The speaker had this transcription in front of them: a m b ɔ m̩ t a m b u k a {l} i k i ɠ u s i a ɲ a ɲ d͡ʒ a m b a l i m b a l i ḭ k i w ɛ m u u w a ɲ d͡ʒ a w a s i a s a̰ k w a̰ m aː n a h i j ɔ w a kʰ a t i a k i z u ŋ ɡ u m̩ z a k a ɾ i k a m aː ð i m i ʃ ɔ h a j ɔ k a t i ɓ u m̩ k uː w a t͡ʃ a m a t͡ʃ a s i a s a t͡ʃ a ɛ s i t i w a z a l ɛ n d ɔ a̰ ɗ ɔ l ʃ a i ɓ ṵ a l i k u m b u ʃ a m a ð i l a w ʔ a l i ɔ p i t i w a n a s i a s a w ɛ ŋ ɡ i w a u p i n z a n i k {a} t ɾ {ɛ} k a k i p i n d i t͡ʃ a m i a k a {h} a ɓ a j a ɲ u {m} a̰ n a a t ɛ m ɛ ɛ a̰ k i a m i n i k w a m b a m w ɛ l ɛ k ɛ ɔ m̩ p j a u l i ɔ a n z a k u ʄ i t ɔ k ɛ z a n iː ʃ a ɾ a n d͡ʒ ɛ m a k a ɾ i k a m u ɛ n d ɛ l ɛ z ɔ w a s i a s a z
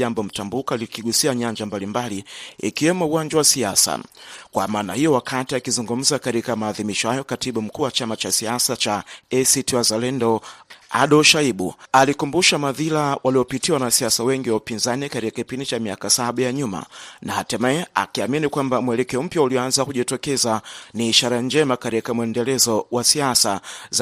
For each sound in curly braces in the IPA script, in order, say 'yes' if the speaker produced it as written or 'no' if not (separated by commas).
yes, yes, no, no, yes